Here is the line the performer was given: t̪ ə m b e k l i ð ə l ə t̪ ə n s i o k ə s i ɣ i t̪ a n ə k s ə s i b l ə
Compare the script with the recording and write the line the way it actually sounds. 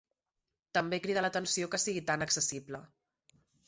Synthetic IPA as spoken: t̪ ə m b e k ɾ i ð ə l ə t̪ ə n s i o k ə s i ɣ i t̪ a n ə k s ə s i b l ə